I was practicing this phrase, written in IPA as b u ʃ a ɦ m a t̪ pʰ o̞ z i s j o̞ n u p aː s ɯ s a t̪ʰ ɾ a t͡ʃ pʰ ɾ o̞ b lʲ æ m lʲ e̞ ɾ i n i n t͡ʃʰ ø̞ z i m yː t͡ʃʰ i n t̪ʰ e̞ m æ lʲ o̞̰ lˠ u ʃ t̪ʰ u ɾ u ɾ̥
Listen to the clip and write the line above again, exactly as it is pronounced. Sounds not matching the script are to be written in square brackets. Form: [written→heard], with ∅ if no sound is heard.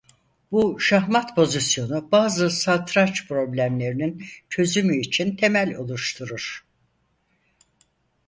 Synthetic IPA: b u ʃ a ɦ m a t̪ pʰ o̞ z i s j o̞ n u [p→b] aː [s→z] ɯ s a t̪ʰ ɾ a t͡ʃ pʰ ɾ o̞ b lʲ æ m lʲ e̞ ɾ i n i n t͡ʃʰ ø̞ z [i→y] m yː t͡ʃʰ i n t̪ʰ e̞ m æ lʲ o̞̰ lˠ u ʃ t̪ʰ u ɾ u ɾ̥